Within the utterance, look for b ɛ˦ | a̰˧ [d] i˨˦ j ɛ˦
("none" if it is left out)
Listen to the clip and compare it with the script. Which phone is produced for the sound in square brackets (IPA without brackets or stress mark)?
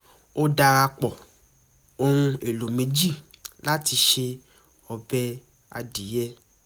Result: d